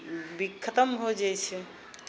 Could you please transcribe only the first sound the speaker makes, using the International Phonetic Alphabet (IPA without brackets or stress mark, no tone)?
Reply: b